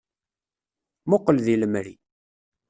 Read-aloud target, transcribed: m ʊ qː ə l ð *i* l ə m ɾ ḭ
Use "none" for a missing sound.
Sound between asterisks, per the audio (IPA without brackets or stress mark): i